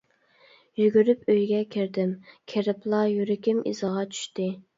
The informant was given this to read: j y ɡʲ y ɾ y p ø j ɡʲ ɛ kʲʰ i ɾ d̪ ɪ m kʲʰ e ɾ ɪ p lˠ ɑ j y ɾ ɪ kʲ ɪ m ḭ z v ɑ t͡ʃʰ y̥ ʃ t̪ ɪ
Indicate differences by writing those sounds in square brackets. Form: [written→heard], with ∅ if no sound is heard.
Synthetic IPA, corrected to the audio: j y ɡʲ y ɾ y p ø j ɡʲ ɛ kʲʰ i ɾ d̪ ɪ m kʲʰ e ɾ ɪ p lˠ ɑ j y ɾ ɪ kʲ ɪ m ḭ z [v→ʁ] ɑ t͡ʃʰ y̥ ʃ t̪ ɪ